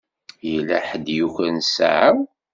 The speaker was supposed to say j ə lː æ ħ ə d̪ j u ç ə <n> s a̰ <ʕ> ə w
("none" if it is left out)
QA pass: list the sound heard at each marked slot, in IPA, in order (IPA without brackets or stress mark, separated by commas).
n, ʕ